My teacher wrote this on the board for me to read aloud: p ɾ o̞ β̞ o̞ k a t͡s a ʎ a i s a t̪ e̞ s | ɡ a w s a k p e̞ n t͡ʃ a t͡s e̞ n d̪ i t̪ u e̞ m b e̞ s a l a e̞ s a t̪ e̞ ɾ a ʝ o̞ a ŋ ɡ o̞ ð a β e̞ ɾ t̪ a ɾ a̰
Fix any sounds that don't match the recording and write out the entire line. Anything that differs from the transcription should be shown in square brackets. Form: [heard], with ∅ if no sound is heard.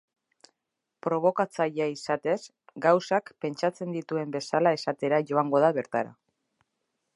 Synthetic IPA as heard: p ɾ o̞ β̞ o̞ k a t͡s a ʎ a i s a t̪ e̞ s | ɡ a w s a k p e̞ n t͡ʃ a t͡s e̞ n d̪ i t̪ u e̞ m b e̞ s a l a e̞ s a t̪ e̞ ɾ a ʝ o̞ a ŋ ɡ o̞ ð a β e̞ ɾ t̪ a ɾ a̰

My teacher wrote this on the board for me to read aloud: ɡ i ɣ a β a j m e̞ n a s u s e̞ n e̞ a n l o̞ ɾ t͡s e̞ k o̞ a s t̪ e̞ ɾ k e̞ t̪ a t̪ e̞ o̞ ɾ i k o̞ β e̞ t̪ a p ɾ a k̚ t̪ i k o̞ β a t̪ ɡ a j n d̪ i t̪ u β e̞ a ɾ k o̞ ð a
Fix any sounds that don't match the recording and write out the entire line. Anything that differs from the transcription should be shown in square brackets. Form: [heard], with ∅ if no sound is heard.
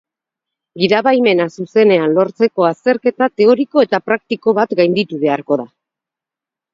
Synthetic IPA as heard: ɡ i [ð] a β a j m e̞ n a s u s e̞ n e̞ a n l o̞ ɾ t͡s e̞ k o̞ a s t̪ e̞ ɾ k e̞ t̪ a t̪ e̞ o̞ ɾ i k o̞ [∅] e̞ t̪ a p ɾ a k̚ t̪ i k o̞ β a t̪ ɡ a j n d̪ i t̪ u β e̞ a ɾ k o̞ ð a

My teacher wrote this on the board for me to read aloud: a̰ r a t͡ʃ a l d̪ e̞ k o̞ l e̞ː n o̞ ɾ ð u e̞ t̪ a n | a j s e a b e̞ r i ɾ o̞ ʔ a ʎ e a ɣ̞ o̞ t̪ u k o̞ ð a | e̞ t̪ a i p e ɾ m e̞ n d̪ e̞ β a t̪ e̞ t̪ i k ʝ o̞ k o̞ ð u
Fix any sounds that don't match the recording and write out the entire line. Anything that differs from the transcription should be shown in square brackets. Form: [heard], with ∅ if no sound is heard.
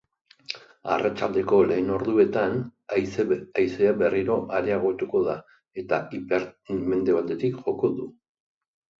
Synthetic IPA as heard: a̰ r a t͡ʃ a l d̪ e̞ k o̞ l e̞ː n o̞ ɾ ð u e̞ t̪ a n | a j s e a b e̞ r i ɾ o̞ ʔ a [ɾ] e a ɣ̞ o̞ t̪ u k o̞ ð a | e̞ t̪ a i p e ɾ m e̞ n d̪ e̞ β a t̪ e̞ t̪ i k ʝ o̞ k o̞ ð u

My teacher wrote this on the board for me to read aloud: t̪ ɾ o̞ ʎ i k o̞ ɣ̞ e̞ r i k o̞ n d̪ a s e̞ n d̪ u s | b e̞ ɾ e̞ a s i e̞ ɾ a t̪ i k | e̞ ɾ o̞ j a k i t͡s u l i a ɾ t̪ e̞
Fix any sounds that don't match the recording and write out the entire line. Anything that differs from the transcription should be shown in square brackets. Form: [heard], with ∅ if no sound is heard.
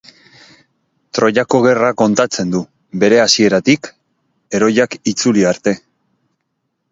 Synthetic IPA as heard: t̪ ɾ o̞ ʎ [a] k o̞ ɣ̞ e̞ r [a] k o̞ n [t̪] a [t͡s] e̞ n d̪ u [∅] | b e̞ ɾ e̞ a s i e̞ ɾ a t̪ i k | e̞ ɾ o̞ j a k i t͡s u l i a ɾ t̪ e̞

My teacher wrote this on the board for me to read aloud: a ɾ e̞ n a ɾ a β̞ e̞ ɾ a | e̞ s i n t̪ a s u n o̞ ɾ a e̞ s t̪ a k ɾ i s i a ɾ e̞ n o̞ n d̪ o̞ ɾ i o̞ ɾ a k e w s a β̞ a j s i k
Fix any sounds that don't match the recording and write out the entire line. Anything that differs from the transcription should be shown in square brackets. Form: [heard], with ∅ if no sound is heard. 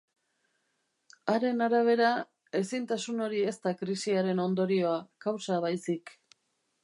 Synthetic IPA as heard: a ɾ e̞ n a ɾ a β̞ e̞ ɾ a | e̞ s i n t̪ a s u n o̞ ɾ [i] e̞ s t̪ a k ɾ i s i a ɾ e̞ n o̞ n d̪ o̞ ɾ i o̞ [∅] a k [a] w s a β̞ a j s i k

